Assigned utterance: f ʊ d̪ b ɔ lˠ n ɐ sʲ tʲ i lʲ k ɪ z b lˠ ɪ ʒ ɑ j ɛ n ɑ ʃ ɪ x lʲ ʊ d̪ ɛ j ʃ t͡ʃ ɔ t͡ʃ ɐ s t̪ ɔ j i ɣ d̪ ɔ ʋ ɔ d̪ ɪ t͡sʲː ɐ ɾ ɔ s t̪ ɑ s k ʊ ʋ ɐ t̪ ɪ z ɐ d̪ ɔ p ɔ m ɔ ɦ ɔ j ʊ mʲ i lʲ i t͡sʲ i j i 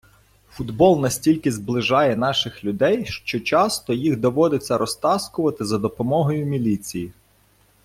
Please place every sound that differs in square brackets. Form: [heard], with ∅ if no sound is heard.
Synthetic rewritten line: f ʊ d̪ b ɔ lˠ n ɐ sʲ tʲ i lʲ k ɪ z b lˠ ɪ ʒ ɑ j ɛ n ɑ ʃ ɪ x lʲ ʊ d̪ ɛ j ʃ t͡ʃ ɔ t͡ʃ [ɑ] s t̪ ɔ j i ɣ d̪ ɔ ʋ ɔ d̪ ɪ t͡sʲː ɐ ɾ ɔ s t̪ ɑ s k ʊ ʋ ɐ t̪ ɪ z ɐ d̪ ɔ p ɔ m ɔ ɦ ɔ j ʊ mʲ i lʲ i t͡sʲ i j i